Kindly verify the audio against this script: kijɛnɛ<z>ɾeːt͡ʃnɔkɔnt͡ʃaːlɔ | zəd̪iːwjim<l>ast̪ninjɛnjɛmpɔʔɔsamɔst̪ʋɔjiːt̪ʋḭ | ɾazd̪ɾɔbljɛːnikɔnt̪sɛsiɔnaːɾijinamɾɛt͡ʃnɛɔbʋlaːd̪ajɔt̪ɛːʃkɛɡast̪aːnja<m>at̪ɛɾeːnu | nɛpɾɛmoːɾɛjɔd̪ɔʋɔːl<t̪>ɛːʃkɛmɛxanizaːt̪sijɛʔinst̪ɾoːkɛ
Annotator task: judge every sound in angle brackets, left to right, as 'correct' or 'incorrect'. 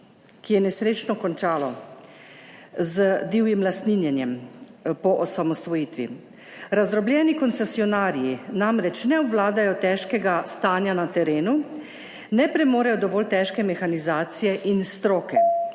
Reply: incorrect, correct, incorrect, correct

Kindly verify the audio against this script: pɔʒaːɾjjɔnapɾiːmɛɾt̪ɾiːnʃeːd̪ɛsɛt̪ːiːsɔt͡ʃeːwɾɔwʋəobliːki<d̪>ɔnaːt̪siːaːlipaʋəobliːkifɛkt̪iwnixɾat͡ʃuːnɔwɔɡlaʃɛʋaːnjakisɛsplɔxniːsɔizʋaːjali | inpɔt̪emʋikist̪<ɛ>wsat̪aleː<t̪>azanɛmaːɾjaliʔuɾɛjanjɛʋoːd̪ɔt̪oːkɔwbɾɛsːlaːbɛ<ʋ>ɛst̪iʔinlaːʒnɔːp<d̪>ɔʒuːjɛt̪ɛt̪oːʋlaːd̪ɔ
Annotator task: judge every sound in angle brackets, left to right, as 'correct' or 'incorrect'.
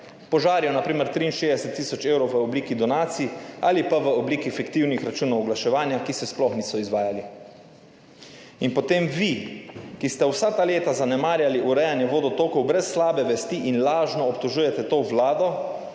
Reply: correct, correct, correct, correct, incorrect

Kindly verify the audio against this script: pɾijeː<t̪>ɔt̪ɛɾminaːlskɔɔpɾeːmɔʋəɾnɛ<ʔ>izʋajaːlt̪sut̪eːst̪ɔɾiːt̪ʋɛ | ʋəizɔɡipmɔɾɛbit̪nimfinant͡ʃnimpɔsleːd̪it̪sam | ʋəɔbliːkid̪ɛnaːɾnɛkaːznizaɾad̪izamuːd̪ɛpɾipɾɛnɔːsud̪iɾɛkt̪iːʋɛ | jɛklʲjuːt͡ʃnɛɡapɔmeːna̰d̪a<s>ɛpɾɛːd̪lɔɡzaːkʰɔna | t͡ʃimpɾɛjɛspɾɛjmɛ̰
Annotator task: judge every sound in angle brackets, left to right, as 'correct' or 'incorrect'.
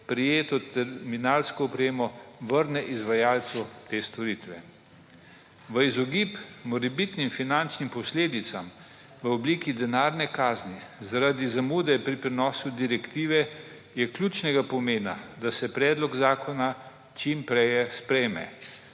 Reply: correct, correct, correct

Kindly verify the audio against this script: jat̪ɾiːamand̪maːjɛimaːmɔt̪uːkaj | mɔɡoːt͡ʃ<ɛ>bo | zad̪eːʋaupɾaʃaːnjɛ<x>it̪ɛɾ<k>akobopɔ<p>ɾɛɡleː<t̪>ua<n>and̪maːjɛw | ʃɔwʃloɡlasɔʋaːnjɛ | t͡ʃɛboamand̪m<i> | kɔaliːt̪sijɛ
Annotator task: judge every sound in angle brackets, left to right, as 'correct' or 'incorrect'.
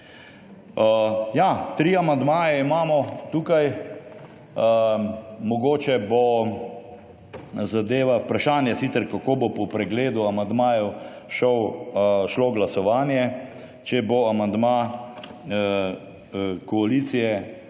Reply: correct, incorrect, correct, correct, incorrect, incorrect, incorrect

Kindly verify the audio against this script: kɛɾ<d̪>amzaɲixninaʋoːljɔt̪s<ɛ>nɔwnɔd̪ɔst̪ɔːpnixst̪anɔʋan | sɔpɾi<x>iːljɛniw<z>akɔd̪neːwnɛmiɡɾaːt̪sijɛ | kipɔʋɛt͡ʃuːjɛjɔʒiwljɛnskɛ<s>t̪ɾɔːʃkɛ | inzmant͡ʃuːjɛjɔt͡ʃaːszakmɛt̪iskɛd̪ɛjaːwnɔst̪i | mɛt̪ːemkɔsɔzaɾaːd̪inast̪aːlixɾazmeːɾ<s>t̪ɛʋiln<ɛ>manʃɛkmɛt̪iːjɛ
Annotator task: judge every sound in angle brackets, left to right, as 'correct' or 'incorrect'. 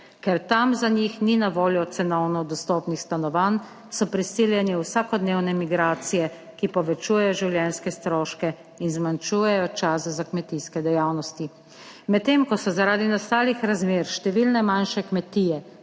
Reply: incorrect, correct, incorrect, incorrect, correct, incorrect, correct

